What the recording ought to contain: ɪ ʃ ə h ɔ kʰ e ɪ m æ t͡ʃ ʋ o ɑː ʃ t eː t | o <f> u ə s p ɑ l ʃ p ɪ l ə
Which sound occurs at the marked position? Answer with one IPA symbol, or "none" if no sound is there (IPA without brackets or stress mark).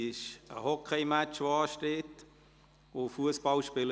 f